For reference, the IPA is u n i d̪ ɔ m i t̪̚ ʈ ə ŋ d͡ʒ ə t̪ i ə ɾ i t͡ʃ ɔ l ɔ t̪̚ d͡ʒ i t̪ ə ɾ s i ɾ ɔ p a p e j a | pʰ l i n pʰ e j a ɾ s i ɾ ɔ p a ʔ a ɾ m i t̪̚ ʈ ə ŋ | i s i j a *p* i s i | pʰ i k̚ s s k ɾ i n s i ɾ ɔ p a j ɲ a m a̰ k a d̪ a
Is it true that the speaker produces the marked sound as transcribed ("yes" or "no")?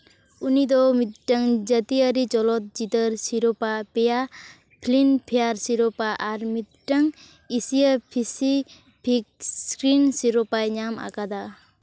no